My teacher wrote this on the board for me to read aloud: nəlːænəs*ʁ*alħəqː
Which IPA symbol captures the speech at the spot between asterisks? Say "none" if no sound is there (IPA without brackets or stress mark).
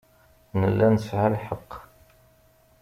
ʕ